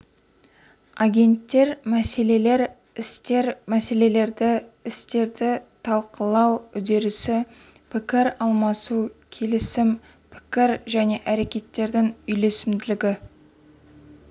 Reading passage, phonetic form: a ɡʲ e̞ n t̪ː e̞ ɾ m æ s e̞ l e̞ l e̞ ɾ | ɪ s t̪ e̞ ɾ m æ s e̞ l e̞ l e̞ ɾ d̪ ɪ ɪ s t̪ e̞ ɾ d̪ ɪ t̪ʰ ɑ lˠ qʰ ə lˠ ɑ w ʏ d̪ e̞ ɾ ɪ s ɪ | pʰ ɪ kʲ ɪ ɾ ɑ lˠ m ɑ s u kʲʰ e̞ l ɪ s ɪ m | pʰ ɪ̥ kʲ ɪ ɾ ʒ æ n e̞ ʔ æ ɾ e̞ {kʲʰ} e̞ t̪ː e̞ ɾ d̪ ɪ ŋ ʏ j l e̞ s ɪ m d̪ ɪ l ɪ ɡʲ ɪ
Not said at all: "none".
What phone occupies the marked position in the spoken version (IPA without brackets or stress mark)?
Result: kʲ